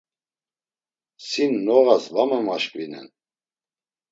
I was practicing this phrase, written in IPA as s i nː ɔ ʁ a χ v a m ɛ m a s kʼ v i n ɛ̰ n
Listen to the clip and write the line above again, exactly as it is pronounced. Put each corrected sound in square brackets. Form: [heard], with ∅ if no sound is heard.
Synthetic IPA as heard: s i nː ɔ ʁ a [s] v a m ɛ m a [ʃ] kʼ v i n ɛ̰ n

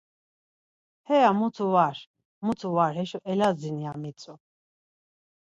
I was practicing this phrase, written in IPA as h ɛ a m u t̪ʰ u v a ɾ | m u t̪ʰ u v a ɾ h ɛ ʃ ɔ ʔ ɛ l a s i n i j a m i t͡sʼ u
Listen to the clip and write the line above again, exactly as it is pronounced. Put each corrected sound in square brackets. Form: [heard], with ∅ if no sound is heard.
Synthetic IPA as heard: h ɛ a m u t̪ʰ u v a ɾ | m u t̪ʰ u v a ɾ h ɛ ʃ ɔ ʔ ɛ l a [z] i n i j a m i t͡sʼ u

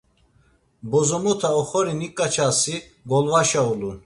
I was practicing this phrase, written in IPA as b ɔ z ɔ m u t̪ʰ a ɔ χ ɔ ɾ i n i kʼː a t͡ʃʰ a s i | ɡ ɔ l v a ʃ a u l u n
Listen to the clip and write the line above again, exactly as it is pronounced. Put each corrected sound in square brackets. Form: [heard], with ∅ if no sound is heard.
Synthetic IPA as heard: b ɔ z ɔ m [ɔ] t̪ʰ a ɔ χ ɔ ɾ i n i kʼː a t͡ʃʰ a s i | ɡ ɔ l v a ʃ a u l u n

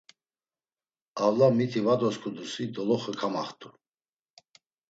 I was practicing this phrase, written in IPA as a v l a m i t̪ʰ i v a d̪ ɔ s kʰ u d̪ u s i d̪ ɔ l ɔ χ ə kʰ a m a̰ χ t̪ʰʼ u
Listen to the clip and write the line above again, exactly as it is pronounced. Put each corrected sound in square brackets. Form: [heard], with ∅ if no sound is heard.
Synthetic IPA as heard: a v l a m i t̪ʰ i v a d̪ ɔ s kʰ u d̪ u s i d̪ ɔ l ɔ χ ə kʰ a m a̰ χ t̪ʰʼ u

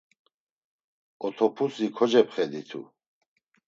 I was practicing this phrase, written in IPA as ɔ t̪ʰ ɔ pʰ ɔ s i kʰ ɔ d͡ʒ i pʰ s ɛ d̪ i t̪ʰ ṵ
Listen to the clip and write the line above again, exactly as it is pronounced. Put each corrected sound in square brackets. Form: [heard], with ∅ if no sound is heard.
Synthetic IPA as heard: ɔ t̪ʰ ɔ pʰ [u] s i kʰ ɔ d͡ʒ [ɛ] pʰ [χ] ɛ d̪ i t̪ʰ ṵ

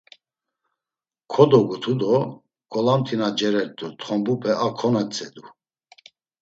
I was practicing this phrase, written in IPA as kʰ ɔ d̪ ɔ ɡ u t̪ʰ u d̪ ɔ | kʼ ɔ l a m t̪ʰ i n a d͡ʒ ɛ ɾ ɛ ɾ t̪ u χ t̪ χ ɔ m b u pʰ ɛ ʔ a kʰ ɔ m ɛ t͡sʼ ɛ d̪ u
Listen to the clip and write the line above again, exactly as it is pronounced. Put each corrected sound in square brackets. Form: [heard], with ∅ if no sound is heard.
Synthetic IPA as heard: kʰ ɔ d̪ ɔ ɡ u t̪ʰ u d̪ ɔ | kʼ ɔ l a m t̪ʰ i n a d͡ʒ ɛ ɾ ɛ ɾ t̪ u [∅] t̪ χ ɔ m b u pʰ ɛ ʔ a kʰ ɔ [n] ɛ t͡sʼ ɛ d̪ u

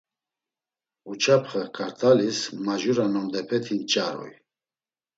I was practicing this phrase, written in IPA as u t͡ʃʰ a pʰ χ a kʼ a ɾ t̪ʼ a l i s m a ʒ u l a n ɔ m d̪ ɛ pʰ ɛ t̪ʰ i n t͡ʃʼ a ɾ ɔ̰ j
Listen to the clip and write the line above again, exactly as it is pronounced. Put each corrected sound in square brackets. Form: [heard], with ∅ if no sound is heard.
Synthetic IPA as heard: u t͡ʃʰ a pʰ χ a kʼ a ɾ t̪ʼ a l i s m a ʒ u [ɾ] a n ɔ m d̪ ɛ pʰ ɛ t̪ʰ i n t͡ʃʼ a ɾ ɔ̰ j

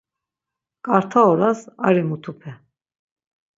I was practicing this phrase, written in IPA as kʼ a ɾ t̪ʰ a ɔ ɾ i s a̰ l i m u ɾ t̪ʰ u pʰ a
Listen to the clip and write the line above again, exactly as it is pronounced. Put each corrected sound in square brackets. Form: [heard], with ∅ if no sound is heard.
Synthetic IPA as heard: kʼ a ɾ t̪ʰ a ɔ ɾ [a] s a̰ [ɾ] i m u [∅] t̪ʰ u pʰ [ɛ]

